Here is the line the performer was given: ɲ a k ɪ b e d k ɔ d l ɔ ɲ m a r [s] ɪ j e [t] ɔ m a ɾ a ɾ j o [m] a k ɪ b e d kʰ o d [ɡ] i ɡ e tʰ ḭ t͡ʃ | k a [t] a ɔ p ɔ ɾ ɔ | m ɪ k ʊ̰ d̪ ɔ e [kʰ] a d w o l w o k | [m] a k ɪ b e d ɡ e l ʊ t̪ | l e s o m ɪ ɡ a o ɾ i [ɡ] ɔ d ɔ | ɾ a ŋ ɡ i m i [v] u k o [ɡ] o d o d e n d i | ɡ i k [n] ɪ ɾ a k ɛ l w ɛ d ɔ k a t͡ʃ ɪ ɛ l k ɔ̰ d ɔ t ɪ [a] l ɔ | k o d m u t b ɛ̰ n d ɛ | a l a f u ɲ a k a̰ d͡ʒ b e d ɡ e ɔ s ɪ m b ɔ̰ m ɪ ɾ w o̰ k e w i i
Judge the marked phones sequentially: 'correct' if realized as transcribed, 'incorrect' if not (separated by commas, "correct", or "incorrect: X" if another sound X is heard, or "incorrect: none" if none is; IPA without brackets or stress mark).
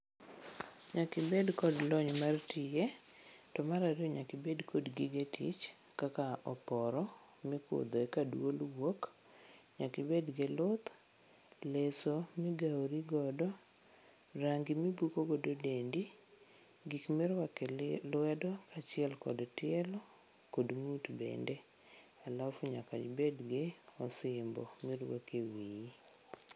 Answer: incorrect: t, correct, incorrect: ɲ, correct, incorrect: k, incorrect: k, incorrect: ɲ, correct, incorrect: b, correct, incorrect: m, incorrect: ɛ